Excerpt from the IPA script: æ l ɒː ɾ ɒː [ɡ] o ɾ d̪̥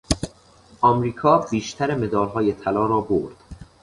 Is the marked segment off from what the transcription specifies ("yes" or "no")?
yes